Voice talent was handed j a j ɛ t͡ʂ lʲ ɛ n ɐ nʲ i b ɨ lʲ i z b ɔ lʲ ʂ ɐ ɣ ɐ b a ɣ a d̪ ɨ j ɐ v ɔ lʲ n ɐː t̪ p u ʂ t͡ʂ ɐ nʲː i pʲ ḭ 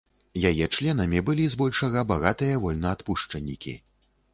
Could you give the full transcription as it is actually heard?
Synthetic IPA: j a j ɛ t͡ʂ lʲ ɛ n ɐ mʲ i b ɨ lʲ i z b ɔ lʲ ʂ ɐ ɣ ɐ b a ɣ a t̪ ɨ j ɐ v ɔ lʲ n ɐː t̪ p u ʂ t͡ʂ ɐ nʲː i kʲ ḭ